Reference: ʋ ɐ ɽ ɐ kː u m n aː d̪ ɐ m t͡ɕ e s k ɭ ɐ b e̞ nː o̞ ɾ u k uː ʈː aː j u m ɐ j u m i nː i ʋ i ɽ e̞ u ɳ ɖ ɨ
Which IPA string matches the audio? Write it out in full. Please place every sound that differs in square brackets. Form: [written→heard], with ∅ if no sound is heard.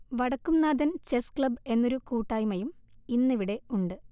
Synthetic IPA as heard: ʋ ɐ ɽ ɐ kː u m n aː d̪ ɐ [m→n] t͡ɕ e s k ɭ ɐ b e̞ nː o̞ ɾ u k uː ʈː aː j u m ɐ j u m i nː i ʋ i ɽ e̞ u ɳ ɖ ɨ